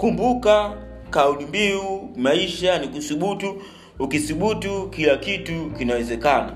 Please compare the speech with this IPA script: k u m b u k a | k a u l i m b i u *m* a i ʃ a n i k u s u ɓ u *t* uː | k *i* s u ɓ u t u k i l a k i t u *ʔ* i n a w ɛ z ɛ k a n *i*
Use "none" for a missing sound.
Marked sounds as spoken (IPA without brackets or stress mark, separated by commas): m, t, i, k, a